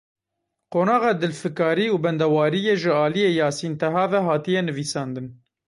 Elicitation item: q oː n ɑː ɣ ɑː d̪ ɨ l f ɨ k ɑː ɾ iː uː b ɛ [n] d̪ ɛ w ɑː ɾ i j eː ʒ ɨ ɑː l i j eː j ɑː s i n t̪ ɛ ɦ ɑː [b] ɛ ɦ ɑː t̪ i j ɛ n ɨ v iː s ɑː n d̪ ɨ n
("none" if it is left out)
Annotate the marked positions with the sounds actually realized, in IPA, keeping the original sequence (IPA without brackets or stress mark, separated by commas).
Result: n, v